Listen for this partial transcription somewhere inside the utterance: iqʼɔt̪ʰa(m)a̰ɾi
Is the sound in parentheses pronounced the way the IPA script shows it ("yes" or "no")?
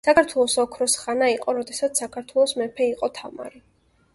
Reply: yes